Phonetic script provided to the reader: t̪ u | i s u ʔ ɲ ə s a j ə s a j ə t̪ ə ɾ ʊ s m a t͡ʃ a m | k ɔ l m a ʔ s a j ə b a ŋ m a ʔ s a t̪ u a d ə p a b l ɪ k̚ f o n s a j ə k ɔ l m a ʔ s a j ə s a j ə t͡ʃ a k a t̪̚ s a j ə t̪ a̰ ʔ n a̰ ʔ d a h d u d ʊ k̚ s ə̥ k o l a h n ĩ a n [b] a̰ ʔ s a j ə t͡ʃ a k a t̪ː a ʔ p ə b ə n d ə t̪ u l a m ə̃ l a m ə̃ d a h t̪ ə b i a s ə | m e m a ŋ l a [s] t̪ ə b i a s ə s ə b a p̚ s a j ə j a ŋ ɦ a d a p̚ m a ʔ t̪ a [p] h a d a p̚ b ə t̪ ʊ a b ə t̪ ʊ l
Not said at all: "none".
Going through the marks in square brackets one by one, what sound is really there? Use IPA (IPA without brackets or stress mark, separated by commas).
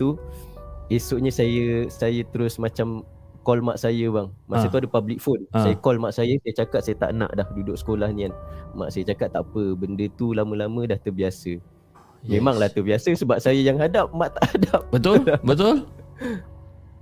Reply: m, h, ʔ